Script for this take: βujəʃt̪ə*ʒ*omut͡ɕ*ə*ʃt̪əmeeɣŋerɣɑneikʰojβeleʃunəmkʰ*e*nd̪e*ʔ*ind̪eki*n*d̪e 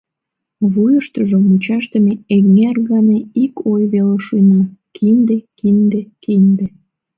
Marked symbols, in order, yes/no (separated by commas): yes, no, no, no, yes